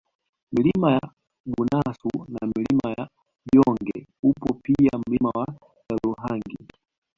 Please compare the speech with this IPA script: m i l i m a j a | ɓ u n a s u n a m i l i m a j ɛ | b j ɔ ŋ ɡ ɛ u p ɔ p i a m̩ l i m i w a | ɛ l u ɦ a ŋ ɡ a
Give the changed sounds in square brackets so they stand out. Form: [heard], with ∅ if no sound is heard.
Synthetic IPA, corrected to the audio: m i l i m a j a | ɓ u n a s u n a m i l i m a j [a] | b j ɔ ŋ ɡ ɛ u p ɔ p i a m̩ l i m [a] w a | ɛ l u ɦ a ŋ ɡ [i]